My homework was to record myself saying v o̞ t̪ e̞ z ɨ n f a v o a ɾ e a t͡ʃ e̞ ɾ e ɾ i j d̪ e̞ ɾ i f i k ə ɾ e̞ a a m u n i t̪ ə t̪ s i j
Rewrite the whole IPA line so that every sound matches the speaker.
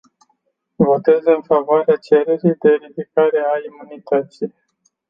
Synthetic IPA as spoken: v o̞ t̪ e̞ z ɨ n f a v o a ɾ e a t͡ʃ e̞ ɾ e ɾ i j d̪ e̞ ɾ i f i k a ɾ e̞ a i m u n i t̪ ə t̪ s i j